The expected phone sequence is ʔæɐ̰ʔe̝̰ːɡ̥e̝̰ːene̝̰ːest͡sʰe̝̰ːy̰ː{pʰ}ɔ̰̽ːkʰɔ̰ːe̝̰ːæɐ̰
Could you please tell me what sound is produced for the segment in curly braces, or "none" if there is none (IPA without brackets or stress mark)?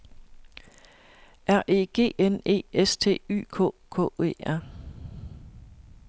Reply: kʰ